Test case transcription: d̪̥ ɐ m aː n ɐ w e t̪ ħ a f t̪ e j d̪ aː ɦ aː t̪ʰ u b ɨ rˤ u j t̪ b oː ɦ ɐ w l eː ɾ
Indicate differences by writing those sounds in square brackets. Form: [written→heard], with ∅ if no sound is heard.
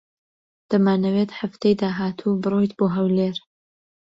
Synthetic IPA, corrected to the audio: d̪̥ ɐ m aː n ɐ w e t̪ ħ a f t̪ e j d̪ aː ɦ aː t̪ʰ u b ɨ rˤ [u→o] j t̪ b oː ɦ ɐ w l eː ɾ